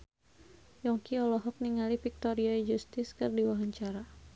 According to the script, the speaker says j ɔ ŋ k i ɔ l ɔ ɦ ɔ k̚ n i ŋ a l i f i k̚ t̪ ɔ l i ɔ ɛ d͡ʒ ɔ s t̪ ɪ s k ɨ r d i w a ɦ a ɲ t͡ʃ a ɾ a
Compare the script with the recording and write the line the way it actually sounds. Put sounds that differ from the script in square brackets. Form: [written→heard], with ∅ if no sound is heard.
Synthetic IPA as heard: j ɔ ŋ k i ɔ l ɔ ɦ ɔ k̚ n i ŋ a l i f i k̚ t̪ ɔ [l→ɾ] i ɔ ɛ d͡ʒ [ɔ→u] s t̪ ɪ s k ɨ r d i w a ɦ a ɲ t͡ʃ a ɾ a